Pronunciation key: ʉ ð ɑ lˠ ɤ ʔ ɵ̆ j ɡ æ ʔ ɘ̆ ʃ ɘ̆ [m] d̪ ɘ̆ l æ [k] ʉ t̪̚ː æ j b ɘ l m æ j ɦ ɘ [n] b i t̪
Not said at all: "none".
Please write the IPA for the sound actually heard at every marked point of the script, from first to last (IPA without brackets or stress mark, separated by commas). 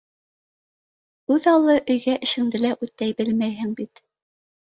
ŋ, ʔ, ŋ